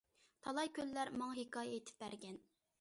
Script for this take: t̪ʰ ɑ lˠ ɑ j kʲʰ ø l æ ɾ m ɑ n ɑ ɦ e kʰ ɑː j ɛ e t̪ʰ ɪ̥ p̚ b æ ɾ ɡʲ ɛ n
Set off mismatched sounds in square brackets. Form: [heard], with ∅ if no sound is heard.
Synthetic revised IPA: t̪ʰ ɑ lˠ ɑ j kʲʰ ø [lː] æ ɾ m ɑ [ŋ] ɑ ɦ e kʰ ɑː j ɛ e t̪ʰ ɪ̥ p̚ b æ ɾ ɡʲ ɛ n